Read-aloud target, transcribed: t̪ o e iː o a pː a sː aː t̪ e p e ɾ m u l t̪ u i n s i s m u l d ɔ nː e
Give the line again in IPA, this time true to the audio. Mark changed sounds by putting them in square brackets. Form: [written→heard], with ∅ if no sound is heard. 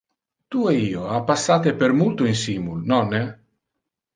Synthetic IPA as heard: t̪ [o→u] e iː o a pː a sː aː t̪ e p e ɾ m u l t̪ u i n s i [s→∅] m u l [d→n] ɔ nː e